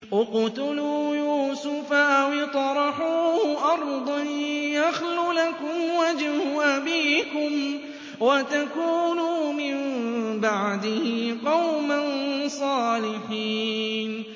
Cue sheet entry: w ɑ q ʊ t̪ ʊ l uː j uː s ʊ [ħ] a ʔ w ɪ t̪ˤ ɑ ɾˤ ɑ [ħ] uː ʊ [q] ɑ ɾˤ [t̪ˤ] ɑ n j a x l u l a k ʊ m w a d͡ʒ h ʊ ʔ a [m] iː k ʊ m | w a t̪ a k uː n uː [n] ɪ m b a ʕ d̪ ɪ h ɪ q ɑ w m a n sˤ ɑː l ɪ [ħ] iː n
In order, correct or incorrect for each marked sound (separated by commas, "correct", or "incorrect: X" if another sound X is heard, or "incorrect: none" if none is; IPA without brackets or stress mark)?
incorrect: f, correct, incorrect: ʔ, incorrect: d̪ˤ, incorrect: b, incorrect: m, correct